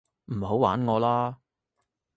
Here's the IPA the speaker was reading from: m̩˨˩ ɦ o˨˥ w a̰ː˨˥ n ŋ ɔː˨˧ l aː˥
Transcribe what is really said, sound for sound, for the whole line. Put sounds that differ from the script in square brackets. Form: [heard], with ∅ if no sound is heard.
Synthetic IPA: m̩˨˩ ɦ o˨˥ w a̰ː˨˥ n ŋ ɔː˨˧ l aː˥